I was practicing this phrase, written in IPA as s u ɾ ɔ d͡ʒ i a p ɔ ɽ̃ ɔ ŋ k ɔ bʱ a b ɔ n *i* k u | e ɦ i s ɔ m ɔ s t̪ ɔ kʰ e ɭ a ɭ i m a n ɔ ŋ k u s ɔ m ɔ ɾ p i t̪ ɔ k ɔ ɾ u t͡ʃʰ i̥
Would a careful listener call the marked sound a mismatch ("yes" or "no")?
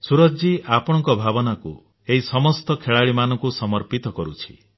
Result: yes